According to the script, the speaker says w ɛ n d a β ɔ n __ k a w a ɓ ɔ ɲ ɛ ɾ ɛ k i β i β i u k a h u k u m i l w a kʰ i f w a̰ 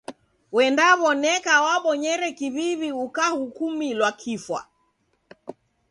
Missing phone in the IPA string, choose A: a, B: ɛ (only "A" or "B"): B